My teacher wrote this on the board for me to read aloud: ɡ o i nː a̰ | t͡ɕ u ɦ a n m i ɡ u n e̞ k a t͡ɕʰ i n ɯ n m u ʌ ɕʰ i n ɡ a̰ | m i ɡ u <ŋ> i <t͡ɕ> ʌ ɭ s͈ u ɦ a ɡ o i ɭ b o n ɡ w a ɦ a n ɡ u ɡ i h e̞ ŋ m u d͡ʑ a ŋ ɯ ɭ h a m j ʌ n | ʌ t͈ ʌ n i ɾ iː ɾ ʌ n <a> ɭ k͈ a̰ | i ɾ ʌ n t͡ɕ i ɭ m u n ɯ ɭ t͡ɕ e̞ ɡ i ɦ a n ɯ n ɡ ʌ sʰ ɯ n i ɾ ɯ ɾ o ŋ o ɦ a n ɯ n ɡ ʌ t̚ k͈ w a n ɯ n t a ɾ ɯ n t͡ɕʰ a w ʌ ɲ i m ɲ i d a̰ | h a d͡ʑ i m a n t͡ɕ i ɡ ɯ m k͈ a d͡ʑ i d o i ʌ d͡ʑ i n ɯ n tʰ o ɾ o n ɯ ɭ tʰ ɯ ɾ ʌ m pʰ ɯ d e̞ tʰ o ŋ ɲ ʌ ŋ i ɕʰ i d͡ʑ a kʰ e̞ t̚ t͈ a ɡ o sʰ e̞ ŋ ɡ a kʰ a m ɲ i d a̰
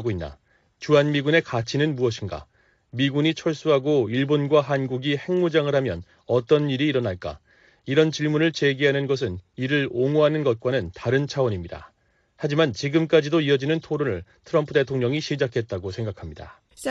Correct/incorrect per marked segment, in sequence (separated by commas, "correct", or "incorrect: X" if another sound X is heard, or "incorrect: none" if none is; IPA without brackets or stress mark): incorrect: ɲ, incorrect: t͡ɕʰ, correct